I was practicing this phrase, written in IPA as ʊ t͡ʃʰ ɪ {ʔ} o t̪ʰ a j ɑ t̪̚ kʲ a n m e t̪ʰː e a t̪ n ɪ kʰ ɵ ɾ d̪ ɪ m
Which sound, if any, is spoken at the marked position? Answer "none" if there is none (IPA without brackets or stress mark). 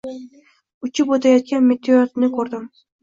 p